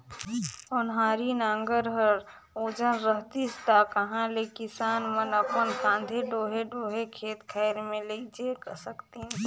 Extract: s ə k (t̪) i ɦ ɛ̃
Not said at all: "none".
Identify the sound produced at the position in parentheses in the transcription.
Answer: t̪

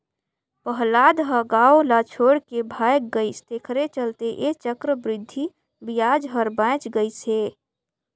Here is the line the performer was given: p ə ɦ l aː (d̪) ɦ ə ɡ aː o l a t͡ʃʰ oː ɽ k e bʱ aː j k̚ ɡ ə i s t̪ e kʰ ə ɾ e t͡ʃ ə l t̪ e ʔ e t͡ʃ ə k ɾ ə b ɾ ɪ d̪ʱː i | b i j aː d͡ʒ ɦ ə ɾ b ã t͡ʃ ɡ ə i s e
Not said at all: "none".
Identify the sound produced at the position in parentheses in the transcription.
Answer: d̪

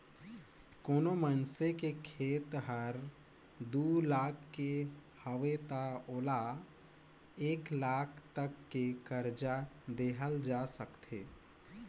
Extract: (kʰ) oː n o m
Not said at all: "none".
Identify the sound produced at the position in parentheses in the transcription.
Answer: k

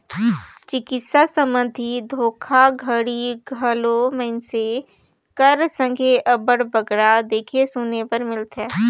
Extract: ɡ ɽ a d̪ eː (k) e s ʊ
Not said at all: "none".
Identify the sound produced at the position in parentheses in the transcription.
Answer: kʰ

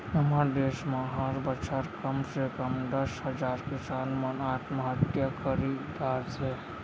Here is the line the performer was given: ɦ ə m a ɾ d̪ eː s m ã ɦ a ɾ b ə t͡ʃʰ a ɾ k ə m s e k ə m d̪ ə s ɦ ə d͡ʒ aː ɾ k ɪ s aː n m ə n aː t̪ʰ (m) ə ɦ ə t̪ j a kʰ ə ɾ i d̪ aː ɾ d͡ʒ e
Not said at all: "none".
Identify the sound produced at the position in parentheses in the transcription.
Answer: m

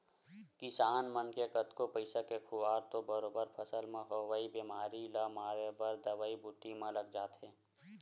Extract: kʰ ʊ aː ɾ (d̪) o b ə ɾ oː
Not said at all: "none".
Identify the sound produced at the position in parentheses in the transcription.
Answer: t̪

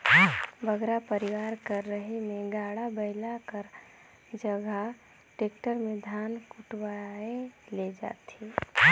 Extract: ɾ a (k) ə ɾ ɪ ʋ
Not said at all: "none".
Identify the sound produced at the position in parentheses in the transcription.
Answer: p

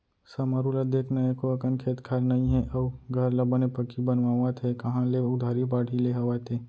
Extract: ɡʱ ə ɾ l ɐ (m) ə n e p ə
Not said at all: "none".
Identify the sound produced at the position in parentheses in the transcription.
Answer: b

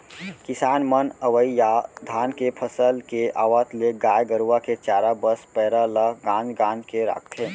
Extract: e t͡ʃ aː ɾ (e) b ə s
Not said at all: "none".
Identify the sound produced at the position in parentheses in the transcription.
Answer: a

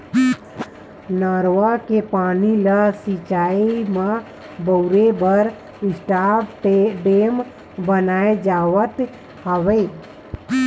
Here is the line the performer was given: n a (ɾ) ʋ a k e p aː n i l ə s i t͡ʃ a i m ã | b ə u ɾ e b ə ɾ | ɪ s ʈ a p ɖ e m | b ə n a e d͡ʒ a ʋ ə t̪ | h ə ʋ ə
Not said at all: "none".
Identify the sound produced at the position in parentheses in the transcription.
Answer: ɾ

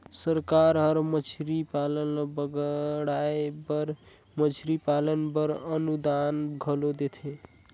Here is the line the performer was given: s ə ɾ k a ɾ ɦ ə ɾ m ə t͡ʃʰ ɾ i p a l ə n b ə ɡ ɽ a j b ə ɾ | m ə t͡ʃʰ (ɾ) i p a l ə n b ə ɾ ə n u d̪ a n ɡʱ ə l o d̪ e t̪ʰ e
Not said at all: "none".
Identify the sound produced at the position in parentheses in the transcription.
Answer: ɾ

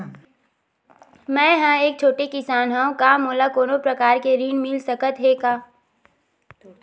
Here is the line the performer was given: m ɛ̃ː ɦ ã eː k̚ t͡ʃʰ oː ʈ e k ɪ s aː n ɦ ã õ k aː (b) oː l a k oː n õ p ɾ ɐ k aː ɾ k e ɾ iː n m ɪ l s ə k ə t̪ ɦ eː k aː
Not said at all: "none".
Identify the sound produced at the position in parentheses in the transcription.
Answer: m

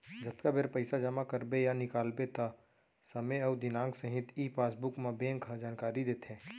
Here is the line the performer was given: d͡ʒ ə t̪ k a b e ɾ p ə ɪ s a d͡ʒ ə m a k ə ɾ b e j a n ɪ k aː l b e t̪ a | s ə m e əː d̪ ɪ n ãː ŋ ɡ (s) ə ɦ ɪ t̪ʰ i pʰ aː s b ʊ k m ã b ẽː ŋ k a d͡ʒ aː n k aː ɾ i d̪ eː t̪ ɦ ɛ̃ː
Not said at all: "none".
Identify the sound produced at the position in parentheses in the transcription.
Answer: s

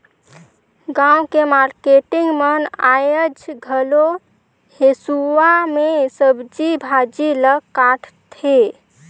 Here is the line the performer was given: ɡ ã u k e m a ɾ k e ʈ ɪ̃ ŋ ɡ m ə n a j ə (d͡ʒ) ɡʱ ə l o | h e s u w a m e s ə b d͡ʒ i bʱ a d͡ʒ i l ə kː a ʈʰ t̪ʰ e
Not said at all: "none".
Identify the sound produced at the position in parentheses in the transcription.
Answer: d͡ʒ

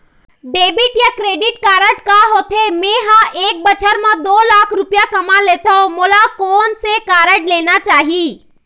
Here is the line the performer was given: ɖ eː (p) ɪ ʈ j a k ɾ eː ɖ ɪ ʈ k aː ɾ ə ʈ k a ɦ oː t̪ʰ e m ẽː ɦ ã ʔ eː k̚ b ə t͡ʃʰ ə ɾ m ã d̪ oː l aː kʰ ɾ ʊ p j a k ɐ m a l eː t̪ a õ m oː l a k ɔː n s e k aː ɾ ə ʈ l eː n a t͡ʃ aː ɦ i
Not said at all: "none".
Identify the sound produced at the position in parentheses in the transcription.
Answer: b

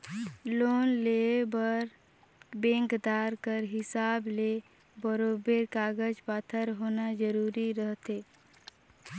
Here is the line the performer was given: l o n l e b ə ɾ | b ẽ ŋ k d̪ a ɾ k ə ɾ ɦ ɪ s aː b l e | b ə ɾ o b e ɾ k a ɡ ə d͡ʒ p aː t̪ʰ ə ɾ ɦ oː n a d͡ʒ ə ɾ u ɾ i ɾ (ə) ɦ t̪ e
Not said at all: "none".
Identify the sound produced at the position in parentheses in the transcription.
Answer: ə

